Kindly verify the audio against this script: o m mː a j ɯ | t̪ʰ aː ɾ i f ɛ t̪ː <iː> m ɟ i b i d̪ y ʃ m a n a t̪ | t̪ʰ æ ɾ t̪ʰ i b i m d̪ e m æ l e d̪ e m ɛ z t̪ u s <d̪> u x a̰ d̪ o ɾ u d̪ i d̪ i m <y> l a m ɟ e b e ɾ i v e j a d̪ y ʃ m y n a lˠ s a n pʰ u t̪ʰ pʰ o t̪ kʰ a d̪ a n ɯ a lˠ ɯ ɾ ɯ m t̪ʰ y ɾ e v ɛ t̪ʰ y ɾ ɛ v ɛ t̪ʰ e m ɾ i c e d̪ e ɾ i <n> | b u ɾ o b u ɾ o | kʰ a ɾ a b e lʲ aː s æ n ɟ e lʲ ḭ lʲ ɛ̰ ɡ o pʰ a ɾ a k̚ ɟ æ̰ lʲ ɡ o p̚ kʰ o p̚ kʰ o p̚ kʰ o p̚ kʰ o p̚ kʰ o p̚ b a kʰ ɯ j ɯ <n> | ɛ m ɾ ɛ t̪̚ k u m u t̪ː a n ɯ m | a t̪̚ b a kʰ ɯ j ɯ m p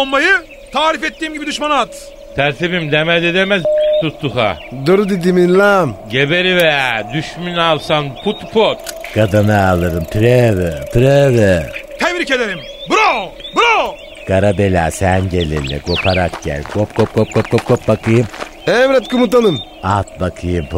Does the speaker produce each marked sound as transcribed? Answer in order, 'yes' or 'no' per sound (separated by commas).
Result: yes, no, no, no, no